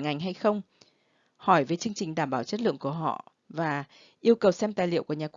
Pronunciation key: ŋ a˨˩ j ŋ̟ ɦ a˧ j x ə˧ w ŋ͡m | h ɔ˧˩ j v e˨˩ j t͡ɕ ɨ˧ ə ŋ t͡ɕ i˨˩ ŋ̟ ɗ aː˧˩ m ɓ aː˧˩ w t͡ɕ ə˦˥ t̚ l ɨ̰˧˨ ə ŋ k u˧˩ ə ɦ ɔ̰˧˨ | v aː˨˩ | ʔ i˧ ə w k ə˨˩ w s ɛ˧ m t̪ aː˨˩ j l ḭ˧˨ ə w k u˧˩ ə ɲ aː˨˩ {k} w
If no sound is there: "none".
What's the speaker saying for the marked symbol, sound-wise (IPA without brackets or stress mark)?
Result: k